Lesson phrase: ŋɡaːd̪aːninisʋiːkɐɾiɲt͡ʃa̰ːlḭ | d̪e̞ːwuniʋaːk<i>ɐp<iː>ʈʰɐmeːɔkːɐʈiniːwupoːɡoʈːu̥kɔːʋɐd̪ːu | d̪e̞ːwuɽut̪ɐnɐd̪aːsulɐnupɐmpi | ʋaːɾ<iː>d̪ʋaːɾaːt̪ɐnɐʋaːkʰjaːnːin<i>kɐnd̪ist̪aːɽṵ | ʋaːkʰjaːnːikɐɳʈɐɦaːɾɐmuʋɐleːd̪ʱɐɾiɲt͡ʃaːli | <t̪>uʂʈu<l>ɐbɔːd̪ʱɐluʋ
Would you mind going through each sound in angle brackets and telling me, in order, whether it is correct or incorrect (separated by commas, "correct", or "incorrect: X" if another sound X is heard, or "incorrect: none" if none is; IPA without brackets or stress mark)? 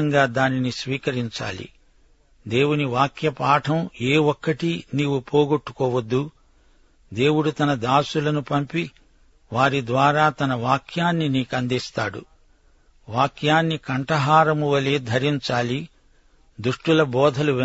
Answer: incorrect: j, incorrect: aː, incorrect: i, incorrect: iː, incorrect: d̪, correct